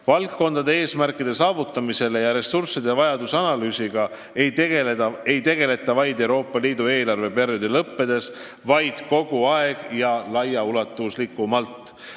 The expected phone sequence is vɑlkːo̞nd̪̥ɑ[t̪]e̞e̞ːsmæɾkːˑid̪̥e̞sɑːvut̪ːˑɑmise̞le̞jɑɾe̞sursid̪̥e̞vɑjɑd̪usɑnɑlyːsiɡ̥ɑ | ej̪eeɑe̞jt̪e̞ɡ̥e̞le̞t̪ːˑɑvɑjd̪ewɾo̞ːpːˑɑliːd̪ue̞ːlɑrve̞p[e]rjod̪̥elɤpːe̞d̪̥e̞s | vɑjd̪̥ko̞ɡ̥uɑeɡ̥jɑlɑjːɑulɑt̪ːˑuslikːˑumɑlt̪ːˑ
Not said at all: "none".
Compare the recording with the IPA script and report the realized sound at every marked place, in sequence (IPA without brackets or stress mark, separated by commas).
d̪, e